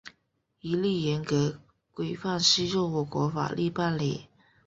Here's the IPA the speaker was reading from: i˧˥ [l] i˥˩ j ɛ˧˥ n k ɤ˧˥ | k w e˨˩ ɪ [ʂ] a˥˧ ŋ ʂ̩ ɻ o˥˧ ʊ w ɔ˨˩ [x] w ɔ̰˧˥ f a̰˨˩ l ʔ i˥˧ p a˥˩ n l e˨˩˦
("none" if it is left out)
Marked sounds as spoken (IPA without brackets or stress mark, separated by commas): l, f, k